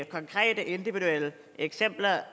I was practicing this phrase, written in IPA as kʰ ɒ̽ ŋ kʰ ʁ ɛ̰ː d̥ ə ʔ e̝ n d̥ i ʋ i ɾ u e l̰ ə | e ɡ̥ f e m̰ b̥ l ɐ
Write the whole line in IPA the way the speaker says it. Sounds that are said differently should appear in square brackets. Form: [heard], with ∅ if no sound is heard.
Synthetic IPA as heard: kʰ ɒ̽ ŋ kʰ ʁ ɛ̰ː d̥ ə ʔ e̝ n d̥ i ʋ i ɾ u e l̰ ə | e ɡ̥ [s] e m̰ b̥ l ɐ